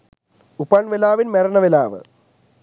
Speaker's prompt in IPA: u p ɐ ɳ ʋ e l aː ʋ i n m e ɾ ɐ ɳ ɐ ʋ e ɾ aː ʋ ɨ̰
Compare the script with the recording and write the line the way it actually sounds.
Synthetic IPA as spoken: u p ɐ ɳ ʋ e l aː ʋ i n m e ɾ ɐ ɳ ɐ ʋ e l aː ʋ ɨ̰